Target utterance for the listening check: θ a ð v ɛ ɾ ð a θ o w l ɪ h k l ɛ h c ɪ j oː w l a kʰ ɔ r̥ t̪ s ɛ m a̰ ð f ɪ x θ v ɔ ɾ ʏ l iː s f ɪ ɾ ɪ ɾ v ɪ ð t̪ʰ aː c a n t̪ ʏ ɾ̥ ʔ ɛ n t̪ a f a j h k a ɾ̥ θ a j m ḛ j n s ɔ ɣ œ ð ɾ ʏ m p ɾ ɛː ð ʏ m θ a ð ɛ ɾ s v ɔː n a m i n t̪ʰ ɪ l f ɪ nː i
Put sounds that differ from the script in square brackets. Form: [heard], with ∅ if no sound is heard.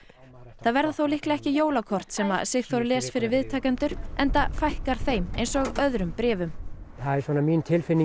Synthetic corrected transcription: θ a ð v ɛ ɾ ð a θ o w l ɪ h k l ɛ h c ɪ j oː w l a kʰ ɔ r̥ t̪ s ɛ m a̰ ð [s] ɪ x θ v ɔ ɾ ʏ l [ɛː] s f ɪ ɾ ɪ ɾ v ɪ ð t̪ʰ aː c a n t̪ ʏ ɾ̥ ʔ ɛ n t̪ a f a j h k a ɾ̥ θ [e] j m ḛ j n s ɔ ɣ œ ð ɾ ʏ m p ɾ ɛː [v] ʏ m θ a ð ɛ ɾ s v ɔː n a m i n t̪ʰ ɪ l f ɪ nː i